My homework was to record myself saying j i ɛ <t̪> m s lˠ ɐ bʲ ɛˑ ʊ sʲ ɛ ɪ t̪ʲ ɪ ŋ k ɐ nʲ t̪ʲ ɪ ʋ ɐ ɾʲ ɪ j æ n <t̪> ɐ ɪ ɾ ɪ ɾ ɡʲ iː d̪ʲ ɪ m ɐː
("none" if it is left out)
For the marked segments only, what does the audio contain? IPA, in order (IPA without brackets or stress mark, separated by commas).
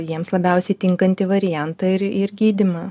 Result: none, t̪